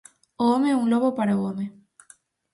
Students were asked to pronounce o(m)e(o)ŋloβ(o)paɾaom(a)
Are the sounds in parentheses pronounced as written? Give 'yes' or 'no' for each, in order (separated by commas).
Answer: yes, no, yes, no